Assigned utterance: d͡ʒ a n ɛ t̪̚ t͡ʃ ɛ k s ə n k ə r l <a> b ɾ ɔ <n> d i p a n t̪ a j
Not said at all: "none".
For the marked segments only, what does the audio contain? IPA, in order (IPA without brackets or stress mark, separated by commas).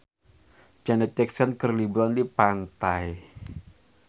i, n